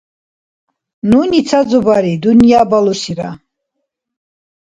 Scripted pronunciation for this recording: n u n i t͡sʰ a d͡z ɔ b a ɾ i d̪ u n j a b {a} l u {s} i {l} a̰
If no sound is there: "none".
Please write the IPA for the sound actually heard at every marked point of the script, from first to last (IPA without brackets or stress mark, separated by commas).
a, s, ɾ